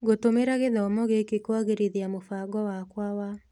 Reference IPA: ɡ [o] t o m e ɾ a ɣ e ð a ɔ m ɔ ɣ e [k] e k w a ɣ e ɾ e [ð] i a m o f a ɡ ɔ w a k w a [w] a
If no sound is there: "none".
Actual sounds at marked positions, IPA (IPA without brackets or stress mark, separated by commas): o, k, ð, w